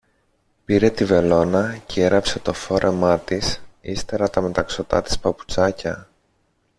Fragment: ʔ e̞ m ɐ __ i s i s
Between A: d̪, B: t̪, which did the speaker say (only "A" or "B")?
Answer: B